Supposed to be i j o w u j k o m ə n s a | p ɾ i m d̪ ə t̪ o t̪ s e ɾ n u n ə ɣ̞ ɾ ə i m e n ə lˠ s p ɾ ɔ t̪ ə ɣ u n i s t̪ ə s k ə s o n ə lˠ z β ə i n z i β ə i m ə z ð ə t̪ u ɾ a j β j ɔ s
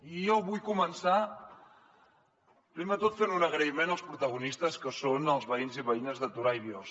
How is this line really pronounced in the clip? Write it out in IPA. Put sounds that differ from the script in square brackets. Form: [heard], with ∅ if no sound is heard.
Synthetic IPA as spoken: i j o [β] u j k [u] m ə n s a | p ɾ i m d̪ ə t̪ o t̪ [f] e ɾ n u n ə ɣ̞ ɾ ə i m e n ə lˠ s p ɾ [u] t̪ ə ɣ u n i s t̪ ə s k ə s o n ə lˠ z β ə i n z i β ə i [n] ə z ð ə t̪ u ɾ a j β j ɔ s